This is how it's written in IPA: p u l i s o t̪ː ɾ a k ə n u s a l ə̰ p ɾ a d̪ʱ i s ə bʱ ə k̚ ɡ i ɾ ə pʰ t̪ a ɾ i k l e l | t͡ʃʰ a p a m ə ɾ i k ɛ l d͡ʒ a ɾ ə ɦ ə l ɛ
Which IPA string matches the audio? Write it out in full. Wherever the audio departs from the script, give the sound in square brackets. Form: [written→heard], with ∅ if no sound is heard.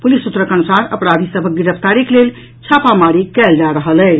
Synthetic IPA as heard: p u l i s [o→u] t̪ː ɾ [a→ə] k ə n u s a [l→ɾ] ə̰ p ɾ a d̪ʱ i s ə bʱ ə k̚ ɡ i ɾ ə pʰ t̪ a ɾ i k l e l | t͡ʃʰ a p a m [ə→a] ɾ i k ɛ l d͡ʒ a ɾ ə ɦ ə l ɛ